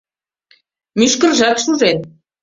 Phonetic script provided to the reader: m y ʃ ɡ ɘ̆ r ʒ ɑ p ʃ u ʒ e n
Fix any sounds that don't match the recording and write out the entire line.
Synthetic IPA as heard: m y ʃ k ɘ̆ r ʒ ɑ k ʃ u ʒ e n